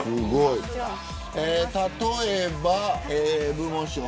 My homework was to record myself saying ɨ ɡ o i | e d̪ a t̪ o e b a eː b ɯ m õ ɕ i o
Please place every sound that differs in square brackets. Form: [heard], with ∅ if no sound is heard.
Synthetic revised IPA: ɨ ɡ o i | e [t̪] a t̪ o e b a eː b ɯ m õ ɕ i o